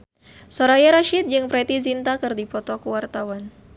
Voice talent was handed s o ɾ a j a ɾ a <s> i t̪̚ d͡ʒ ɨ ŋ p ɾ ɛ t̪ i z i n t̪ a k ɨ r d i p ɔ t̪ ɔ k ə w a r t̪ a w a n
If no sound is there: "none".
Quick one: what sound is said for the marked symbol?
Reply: ʃ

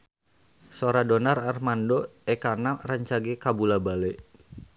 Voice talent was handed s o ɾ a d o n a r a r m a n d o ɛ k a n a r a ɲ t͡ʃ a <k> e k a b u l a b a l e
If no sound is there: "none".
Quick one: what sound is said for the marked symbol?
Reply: ɡ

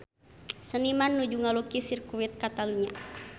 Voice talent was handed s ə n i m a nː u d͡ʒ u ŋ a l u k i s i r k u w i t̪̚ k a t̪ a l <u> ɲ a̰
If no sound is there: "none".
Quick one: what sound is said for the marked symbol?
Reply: u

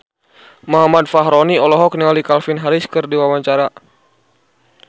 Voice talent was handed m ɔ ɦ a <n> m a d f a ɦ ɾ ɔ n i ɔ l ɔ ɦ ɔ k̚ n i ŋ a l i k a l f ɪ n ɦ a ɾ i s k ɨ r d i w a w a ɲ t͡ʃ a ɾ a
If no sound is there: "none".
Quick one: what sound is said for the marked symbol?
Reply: none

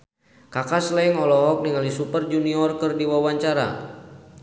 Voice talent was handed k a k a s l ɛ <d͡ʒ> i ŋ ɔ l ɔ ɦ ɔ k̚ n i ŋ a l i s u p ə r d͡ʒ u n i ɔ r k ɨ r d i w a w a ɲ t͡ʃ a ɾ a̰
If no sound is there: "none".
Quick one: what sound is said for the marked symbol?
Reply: none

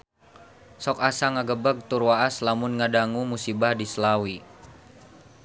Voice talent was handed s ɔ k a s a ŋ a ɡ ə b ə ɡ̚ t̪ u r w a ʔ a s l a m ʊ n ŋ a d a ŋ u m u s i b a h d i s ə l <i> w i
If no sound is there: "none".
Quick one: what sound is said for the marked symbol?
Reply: a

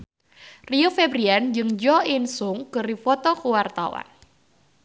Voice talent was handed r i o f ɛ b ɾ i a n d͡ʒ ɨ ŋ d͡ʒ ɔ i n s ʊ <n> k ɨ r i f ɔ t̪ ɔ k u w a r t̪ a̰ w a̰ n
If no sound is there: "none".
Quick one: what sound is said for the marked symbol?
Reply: ŋ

